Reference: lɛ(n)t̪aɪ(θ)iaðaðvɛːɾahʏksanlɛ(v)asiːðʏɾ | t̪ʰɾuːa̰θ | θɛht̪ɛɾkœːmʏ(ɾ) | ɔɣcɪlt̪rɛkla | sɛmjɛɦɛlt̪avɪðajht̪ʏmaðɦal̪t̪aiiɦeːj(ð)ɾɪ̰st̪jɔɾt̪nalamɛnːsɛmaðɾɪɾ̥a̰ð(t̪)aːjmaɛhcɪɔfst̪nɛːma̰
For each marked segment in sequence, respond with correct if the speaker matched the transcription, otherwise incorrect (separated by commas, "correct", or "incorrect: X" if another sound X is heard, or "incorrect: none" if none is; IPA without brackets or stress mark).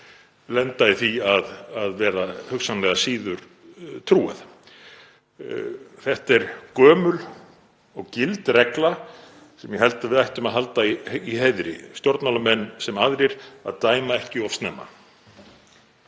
correct, correct, incorrect: ɣ, incorrect: l, correct, correct